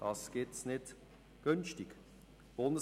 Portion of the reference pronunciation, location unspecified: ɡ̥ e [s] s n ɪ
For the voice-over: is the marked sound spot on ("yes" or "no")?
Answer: no